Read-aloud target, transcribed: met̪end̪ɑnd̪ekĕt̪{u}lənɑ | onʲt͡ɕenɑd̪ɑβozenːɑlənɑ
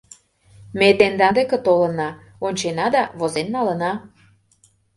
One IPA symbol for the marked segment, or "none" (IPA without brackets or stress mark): o